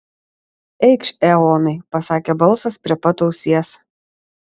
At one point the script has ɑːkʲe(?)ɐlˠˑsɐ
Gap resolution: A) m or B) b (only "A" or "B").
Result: B